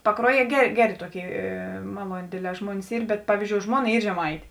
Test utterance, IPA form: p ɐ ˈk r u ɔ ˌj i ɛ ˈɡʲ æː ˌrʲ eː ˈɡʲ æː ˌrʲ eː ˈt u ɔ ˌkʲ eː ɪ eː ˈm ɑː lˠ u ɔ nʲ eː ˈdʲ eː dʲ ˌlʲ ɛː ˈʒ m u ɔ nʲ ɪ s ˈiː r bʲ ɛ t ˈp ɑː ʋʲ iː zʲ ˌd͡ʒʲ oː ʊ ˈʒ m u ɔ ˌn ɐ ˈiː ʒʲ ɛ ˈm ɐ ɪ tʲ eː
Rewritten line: p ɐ ˈk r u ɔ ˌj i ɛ ˈɡʲ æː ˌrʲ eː ˈɡʲ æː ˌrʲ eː ˈt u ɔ ˌkʲ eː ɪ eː ˈm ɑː lˠ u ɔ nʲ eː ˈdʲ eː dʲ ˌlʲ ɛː ˈʒ m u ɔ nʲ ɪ s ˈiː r bʲ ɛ t ˈp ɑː ʋʲ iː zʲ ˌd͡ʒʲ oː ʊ ˈʒ m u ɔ ˌn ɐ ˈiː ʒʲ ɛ ˈm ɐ ɪ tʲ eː